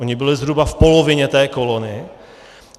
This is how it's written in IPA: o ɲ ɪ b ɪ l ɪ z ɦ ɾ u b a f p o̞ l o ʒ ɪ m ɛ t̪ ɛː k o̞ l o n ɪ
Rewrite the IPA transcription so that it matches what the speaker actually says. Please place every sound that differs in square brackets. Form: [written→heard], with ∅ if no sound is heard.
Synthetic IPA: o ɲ ɪ b ɪ l ɪ z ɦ ɾ u b a f p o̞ l o [ʒ→v] ɪ [m→ɲ] ɛ t̪ ɛː k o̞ l o n ɪ